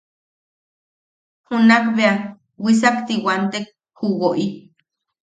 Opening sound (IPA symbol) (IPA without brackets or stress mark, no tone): h